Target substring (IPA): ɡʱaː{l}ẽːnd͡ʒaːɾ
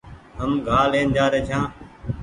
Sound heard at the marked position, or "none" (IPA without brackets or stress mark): l